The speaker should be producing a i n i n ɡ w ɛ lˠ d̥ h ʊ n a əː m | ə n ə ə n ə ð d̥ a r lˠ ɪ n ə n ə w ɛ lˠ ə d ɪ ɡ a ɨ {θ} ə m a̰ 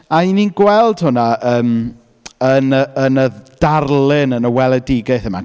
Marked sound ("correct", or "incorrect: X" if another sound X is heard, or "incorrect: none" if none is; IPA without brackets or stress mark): correct